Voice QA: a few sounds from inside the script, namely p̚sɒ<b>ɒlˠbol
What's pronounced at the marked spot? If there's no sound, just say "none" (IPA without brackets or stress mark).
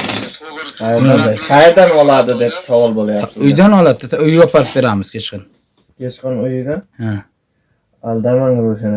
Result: w